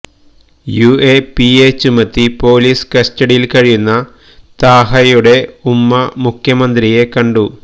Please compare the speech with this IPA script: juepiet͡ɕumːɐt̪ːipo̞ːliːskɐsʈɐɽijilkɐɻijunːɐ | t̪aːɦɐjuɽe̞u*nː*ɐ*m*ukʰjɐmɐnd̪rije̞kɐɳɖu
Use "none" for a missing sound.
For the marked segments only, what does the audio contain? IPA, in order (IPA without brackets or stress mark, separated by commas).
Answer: mː, m